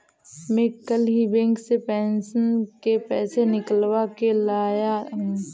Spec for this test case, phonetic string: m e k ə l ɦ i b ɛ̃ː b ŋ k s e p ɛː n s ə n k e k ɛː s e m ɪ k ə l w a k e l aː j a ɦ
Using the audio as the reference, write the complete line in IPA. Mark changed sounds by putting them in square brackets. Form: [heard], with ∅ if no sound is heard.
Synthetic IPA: m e k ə l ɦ i b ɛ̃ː [∅] ŋ k s e p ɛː n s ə n k e [p] ɛː s e [n] ɪ k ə l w a k e l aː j a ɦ